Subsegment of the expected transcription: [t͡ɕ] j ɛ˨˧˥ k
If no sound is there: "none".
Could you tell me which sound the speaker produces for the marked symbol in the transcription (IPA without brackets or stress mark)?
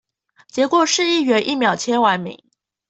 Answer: t͡ɕ